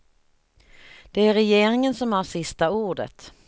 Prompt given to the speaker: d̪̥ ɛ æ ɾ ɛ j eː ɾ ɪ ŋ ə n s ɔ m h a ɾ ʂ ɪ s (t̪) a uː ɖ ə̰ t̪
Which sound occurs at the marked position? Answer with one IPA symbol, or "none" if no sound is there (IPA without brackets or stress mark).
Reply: t̪